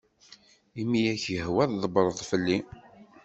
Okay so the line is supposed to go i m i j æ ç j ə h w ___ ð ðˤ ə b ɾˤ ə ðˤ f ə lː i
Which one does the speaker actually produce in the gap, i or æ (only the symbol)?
æ